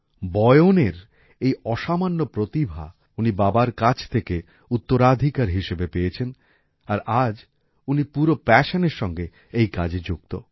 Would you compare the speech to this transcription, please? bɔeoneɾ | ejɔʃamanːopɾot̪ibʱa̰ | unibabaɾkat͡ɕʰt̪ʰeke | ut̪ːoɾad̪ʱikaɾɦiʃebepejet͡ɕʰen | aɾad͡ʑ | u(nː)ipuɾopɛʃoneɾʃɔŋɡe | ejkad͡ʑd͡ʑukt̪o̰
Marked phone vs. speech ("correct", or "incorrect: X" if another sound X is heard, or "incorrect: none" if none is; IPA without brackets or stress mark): incorrect: n